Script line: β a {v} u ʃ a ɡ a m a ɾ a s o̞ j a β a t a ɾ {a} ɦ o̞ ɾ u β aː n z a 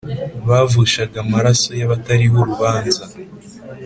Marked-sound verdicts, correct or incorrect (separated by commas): correct, incorrect